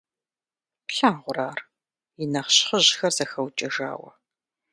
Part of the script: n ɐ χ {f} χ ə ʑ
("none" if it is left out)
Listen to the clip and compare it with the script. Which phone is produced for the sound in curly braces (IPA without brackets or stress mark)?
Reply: ɕ